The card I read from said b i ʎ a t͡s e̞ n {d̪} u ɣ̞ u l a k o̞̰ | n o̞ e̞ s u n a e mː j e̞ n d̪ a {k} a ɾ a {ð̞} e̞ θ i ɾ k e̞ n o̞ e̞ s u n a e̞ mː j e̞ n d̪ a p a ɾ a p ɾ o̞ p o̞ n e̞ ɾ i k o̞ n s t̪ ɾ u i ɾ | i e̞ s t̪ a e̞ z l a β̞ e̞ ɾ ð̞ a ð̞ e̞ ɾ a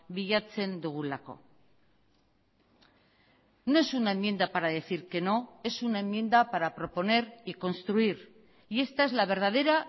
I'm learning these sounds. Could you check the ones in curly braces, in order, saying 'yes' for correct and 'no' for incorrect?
yes, no, yes

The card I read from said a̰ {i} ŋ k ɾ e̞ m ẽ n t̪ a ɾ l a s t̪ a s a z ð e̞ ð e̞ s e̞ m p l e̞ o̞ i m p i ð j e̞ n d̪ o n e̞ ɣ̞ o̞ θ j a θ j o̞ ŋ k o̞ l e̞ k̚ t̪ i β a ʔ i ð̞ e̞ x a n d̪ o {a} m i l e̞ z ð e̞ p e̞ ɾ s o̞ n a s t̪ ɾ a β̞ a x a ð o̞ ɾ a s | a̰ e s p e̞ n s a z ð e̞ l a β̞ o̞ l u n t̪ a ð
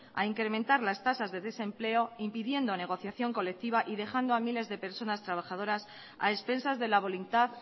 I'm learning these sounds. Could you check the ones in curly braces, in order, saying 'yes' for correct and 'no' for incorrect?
yes, yes

